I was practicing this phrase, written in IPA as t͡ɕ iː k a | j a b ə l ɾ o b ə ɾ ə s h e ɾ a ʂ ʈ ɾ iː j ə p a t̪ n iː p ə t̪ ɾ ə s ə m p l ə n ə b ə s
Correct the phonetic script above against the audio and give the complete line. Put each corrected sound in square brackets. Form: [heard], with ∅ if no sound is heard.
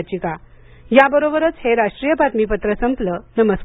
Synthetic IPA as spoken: t͡ɕ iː k a | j a b ə [∅] ɾ o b ə ɾ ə [t͡s] h e ɾ a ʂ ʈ ɾ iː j ə p a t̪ [m] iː p ə t̪ ɾ ə s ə m p l ə n ə [m] ə s

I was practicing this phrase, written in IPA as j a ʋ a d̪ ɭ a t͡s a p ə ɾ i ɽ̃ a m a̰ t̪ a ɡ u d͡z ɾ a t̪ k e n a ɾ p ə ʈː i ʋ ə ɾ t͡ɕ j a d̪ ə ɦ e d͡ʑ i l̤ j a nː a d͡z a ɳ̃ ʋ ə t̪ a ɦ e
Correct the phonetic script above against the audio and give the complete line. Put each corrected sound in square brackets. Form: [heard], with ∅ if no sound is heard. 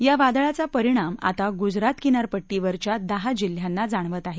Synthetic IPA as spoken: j a ʋ a d̪ ɭ a t͡s a p ə ɾ i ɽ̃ a m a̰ t̪ a ɡ u d͡z ɾ a t̪ k [i] n a ɾ p ə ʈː i ʋ ə ɾ t͡ɕ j a d̪ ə ɦ [a] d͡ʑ i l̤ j a nː a d͡z a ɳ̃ ʋ ə t̪ a ɦ e

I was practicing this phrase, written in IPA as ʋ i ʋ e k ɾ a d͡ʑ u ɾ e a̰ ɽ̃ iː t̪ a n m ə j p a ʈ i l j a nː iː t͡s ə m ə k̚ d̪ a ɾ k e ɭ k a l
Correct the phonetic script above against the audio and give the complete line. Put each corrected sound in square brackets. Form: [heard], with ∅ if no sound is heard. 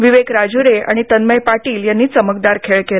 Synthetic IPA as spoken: ʋ i ʋ e k ɾ a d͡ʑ u ɾ e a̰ ɽ̃ [i] t̪ [ə] n m ə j p a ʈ [iː] l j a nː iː t͡s ə m ə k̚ d̪ a ɾ [kʰ] e ɭ k [e] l

